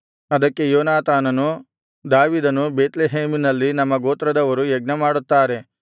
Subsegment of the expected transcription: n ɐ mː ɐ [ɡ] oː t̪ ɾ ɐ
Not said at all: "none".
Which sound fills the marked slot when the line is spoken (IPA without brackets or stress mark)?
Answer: ɡ